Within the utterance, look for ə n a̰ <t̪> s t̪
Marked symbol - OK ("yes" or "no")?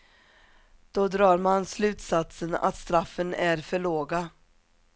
yes